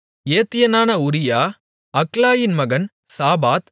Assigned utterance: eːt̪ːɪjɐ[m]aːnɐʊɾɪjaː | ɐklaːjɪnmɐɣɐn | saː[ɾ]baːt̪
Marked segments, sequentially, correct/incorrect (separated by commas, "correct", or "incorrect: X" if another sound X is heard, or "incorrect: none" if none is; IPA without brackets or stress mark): incorrect: n, incorrect: none